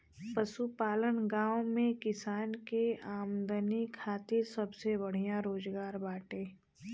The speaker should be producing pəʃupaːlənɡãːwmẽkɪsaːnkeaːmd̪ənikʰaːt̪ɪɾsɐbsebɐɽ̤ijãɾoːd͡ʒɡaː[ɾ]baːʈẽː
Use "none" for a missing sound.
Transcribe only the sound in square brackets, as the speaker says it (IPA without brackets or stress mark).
ɾ